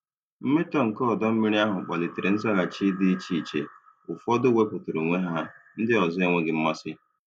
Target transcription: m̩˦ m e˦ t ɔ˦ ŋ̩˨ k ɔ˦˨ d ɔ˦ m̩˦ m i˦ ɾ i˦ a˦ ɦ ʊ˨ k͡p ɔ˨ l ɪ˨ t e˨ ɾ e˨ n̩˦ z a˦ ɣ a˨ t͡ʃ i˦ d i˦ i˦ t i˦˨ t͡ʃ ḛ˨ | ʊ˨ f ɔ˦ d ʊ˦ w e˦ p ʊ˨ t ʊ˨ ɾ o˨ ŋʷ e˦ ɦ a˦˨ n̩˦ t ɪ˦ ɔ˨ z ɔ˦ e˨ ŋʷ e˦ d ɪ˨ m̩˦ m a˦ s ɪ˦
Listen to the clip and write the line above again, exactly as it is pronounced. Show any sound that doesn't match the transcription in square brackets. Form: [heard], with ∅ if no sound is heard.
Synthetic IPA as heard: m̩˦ m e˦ t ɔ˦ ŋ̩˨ k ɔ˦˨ d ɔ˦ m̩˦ m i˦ ɾ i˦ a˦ ɦ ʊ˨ k͡p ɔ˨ l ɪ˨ t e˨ ɾ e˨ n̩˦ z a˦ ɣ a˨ t͡ʃ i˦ d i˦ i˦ [t͡ʃ] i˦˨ t͡ʃ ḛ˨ | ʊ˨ f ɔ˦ d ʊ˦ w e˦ p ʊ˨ t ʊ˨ ɾ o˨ ŋʷ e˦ ɦ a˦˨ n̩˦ [d] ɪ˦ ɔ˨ z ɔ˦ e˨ ŋʷ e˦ [ɡ] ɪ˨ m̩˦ m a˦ s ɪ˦